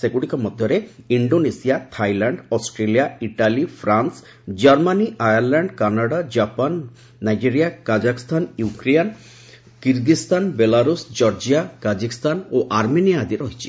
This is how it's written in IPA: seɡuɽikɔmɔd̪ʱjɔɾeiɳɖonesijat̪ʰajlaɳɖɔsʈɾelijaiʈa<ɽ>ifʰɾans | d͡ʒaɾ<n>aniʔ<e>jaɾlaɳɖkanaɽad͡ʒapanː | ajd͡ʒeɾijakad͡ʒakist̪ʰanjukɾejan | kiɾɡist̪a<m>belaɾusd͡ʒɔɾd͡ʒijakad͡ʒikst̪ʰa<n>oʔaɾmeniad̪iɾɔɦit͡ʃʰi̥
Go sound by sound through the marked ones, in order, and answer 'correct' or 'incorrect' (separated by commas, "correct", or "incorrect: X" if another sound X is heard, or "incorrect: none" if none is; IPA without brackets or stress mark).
incorrect: l, incorrect: m, incorrect: a, incorrect: n, correct